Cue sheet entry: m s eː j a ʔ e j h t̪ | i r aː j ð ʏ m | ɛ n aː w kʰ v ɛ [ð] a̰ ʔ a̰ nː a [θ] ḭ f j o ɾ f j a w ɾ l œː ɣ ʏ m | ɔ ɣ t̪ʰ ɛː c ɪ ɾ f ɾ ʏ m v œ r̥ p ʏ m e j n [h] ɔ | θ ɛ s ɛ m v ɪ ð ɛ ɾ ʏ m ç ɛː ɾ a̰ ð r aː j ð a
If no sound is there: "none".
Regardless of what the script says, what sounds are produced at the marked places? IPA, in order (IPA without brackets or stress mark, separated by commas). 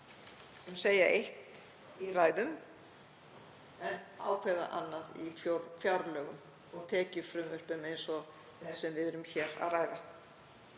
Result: ð, ð, s